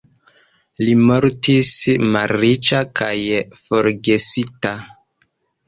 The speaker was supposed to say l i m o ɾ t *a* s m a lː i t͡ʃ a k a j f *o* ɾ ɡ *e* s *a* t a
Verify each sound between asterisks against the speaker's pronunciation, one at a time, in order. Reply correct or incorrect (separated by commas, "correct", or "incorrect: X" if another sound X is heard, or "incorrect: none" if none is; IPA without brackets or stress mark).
incorrect: i, correct, correct, incorrect: i